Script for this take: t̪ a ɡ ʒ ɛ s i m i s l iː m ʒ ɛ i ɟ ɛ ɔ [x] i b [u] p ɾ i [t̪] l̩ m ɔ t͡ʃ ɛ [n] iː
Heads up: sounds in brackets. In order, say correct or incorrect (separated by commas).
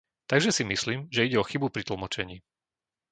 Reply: correct, correct, correct, incorrect